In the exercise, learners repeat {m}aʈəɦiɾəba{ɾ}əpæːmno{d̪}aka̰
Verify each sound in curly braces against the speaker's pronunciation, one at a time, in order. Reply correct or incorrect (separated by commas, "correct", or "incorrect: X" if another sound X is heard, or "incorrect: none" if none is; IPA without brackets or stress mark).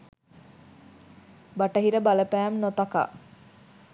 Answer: incorrect: b, incorrect: l, incorrect: t̪